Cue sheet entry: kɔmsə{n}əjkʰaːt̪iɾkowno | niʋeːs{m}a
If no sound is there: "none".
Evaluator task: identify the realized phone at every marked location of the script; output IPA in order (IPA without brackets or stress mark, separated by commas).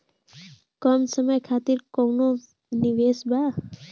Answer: m, b